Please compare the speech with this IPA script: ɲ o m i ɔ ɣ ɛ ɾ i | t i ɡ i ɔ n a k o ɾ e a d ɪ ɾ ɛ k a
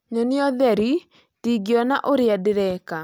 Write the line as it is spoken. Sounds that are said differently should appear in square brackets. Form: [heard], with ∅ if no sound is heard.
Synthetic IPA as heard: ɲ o [n] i ɔ [ð] ɛ ɾ i | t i ɡ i ɔ n a [ʔ] o ɾ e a d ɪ ɾ ɛ k a